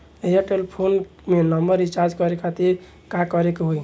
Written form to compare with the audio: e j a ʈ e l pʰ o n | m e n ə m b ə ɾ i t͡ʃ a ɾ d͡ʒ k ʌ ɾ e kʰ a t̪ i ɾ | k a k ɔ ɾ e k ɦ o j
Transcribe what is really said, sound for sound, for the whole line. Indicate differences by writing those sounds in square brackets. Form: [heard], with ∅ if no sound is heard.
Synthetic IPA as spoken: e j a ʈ e l pʰ o n | m e n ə m b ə ɾ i t͡ʃ a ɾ d͡ʒ k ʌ ɾ e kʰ a t̪ i ɾ | k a k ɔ ɾ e k ɦ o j